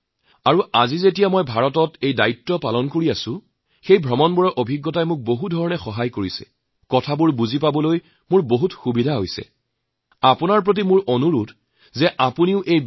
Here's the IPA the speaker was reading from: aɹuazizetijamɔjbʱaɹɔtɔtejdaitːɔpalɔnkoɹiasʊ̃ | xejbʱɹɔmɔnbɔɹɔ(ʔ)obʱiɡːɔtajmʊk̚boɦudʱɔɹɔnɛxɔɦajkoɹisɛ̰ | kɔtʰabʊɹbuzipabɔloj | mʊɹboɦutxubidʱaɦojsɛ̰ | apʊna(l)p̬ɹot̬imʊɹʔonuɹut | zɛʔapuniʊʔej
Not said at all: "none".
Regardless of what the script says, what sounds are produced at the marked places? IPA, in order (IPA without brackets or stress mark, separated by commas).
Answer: ʔ, ɹ